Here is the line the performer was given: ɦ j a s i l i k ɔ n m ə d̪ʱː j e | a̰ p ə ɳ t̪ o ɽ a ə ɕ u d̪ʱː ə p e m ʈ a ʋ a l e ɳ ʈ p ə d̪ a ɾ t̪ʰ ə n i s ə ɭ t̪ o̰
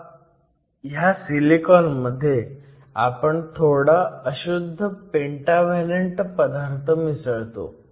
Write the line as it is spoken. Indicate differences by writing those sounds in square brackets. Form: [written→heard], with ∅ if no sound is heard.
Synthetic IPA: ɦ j a s i l i k ɔ n m ə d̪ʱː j e | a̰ p ə ɳ [t̪→t̪ʰ] o ɽ a ə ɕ u d̪ʱː ə p e [m→ɳ] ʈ a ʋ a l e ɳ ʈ p ə d̪ a ɾ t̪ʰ ə [n→m] i s ə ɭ t̪ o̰